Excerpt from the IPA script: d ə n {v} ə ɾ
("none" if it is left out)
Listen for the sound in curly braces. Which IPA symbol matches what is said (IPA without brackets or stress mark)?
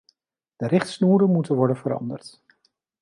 v